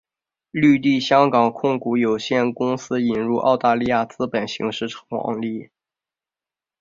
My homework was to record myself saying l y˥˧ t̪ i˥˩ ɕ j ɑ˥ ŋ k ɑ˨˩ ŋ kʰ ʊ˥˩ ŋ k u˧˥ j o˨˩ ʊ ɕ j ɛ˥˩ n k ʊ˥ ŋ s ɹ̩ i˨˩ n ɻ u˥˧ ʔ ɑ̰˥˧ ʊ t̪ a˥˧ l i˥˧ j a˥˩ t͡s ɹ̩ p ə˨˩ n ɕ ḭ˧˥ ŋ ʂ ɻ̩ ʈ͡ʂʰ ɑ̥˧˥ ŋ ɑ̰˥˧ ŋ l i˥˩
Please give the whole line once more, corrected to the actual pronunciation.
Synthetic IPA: l y˥˧ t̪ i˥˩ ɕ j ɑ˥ ŋ k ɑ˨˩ ŋ kʰ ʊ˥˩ ŋ k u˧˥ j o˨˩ ʊ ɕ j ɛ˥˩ n k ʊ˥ ŋ s ɹ̩ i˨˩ n ɻ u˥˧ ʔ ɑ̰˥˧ ʊ t̪ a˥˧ l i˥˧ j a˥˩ t͡s ɹ̩ p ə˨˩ n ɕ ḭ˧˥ ŋ ʂ ɻ̩ ʈ͡ʂʰ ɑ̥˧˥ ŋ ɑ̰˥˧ ŋ l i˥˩